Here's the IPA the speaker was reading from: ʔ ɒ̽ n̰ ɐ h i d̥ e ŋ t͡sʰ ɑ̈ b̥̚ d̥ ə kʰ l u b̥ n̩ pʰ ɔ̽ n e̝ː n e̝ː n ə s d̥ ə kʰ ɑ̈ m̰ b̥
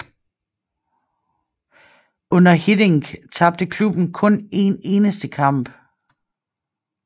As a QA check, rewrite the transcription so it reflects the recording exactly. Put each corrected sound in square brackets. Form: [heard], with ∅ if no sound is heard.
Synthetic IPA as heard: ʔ [ɔ̽] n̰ ɐ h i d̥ e ŋ t͡sʰ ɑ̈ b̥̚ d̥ ə kʰ l u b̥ n̩ [kʰ] ɔ̽ n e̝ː n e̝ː n ə s d̥ ə kʰ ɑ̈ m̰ b̥